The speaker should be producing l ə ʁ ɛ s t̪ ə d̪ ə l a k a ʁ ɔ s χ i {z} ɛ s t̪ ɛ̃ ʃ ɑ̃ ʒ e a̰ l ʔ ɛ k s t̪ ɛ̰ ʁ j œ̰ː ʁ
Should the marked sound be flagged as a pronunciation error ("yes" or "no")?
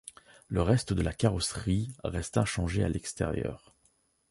yes